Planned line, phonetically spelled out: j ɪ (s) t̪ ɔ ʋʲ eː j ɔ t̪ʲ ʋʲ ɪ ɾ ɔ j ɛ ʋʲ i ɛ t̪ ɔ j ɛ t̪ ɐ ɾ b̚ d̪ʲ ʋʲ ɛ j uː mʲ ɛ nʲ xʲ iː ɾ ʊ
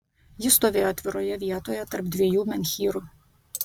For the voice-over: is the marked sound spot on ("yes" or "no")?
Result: yes